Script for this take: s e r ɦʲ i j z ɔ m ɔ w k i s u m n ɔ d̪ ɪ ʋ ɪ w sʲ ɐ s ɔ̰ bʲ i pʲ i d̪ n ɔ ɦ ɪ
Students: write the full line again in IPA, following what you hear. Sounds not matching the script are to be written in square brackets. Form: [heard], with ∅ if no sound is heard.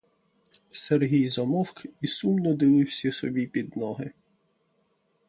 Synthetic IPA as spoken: s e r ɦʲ i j z ɔ m ɔ w k i s u m n ɔ d̪ ɪ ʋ ɪ w sʲ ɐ s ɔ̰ bʲ i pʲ i d̪ n ɔ ɦ ɪ